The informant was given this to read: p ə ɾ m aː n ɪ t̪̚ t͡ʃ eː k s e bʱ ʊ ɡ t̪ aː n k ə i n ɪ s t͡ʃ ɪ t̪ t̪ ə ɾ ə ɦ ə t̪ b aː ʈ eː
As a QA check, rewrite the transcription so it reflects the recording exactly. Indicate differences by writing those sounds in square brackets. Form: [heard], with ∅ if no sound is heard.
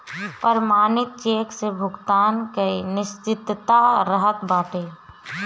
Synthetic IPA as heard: p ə ɾ m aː n ɪ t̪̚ t͡ʃ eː k s e bʱ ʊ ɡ t̪ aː n k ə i n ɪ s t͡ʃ ɪ t̪ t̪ [a] ɾ ə ɦ ə t̪ b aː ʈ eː